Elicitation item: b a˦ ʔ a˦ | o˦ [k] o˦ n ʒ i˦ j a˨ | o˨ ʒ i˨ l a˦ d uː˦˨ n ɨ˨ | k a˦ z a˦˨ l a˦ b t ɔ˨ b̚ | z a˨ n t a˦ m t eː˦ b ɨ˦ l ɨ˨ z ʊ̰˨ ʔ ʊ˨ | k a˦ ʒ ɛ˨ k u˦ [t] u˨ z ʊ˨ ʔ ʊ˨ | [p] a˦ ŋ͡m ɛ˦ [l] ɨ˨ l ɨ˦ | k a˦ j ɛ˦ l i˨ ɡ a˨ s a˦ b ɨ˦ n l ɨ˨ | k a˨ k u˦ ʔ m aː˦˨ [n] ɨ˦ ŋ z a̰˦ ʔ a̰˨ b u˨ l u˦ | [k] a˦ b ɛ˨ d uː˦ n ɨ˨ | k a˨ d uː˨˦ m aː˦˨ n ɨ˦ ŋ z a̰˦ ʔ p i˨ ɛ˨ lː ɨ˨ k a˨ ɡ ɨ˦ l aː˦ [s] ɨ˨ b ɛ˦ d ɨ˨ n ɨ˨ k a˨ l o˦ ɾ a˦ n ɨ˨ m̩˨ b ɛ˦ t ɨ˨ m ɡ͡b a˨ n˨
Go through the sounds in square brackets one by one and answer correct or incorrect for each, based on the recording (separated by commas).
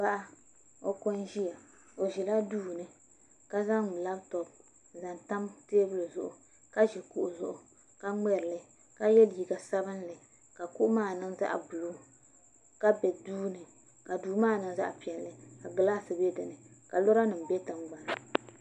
correct, incorrect, incorrect, incorrect, correct, correct, correct